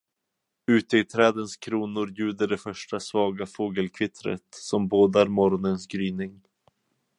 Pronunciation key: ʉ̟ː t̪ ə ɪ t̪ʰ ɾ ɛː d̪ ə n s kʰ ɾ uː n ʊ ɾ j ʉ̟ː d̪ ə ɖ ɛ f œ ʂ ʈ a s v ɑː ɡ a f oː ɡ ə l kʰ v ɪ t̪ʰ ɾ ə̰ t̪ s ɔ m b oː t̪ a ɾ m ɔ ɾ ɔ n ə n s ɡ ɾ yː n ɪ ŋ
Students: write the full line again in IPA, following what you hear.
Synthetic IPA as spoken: ʉ̟ː t̪ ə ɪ t̪ʰ ɾ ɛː d̪ ə n s kʰ ɾ uː n ʊ ɾ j ʉ̟ː d̪ ə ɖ ɛ f œ ʂ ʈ a s v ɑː ɡ a f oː ɡ ə l kʰ v ɪ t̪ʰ ɾ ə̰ t̪ s ɔ m b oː d̪ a ɾ m ɔ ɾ ɔ n ə n s ɡ ɾ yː n ɪ ŋ